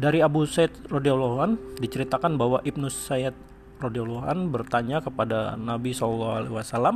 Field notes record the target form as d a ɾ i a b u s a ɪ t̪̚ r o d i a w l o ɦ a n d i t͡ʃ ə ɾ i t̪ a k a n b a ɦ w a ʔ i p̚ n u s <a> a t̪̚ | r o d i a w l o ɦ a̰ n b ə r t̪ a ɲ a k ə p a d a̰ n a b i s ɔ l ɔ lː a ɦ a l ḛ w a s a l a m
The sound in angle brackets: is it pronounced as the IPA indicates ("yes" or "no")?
yes